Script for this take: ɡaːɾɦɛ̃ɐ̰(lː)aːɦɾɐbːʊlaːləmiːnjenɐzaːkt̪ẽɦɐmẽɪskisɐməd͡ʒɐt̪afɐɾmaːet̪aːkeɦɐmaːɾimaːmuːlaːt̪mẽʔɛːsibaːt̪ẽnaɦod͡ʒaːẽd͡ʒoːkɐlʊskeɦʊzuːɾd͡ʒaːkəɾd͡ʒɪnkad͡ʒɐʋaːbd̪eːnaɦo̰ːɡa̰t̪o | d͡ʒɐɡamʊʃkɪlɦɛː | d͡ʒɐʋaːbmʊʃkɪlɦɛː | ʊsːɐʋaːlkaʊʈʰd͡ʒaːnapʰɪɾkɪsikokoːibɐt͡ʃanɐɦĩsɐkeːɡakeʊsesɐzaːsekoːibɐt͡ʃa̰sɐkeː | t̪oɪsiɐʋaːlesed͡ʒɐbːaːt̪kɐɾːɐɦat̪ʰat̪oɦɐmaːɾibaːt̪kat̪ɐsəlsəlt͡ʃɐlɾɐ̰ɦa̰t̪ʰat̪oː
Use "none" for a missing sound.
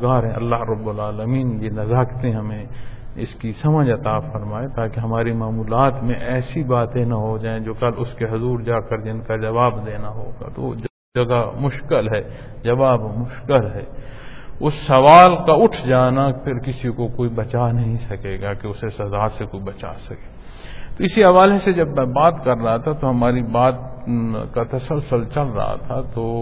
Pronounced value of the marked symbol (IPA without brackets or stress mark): lː